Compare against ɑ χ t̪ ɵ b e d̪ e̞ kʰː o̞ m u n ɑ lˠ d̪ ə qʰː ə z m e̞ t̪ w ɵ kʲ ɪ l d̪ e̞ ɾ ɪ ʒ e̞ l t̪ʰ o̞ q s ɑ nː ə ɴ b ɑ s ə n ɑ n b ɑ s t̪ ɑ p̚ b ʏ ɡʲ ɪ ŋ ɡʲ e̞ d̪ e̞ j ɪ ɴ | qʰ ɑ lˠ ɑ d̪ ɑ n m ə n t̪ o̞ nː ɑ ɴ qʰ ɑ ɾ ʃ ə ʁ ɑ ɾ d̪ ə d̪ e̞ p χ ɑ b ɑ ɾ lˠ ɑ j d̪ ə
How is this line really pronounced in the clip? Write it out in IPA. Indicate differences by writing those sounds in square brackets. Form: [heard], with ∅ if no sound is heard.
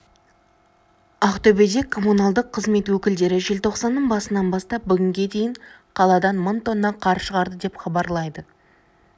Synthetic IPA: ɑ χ t̪ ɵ b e d̪ e̞ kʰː o̞ m u n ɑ lˠ d̪ ə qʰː ə z m e̞ t̪ w ɵ kʲ ɪ l d̪ e̞ ɾ ɪ ʒ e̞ l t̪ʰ o̞ q s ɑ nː ə ɴ b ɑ s ə n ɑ n b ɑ s t̪ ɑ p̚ b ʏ ɡʲ ɪ ŋ ɡʲ e̞ d̪ e̞ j ɪ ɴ | qʰ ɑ lˠ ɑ d̪ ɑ n m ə n t̪ o̞ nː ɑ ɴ qʰ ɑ ɾ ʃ ə ʁ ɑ ɾ d̪ ə d̪ e̞ p χ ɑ b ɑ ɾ lˠ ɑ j d̪ ə